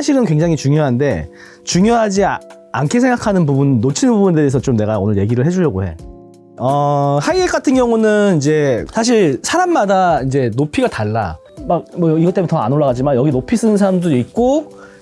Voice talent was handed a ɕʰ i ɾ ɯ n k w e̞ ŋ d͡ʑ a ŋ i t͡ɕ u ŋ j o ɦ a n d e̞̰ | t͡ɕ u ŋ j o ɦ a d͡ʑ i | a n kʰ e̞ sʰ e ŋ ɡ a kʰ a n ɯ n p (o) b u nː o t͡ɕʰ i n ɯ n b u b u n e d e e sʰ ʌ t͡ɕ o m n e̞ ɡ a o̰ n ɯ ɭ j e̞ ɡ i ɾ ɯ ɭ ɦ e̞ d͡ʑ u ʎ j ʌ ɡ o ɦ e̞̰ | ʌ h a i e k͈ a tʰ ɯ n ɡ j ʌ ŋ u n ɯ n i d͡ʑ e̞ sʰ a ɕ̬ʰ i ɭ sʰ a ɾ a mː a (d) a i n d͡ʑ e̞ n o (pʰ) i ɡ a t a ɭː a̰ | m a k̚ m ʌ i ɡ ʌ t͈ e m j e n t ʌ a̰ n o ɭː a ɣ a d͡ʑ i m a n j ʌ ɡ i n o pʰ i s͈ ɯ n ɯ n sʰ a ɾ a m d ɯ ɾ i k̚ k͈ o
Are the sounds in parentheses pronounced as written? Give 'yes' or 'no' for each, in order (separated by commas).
no, yes, yes